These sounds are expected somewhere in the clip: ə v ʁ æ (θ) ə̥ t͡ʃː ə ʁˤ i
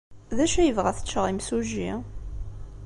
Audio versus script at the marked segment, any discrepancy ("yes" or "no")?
no